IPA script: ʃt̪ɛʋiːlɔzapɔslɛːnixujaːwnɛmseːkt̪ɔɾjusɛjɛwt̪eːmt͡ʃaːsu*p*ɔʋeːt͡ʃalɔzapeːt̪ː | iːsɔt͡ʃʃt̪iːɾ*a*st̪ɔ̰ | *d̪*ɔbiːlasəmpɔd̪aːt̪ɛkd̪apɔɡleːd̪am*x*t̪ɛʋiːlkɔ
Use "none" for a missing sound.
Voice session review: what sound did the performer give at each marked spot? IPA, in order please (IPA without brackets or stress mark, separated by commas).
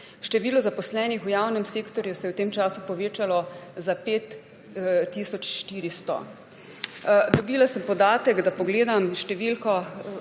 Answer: p, i, d̪, ʃ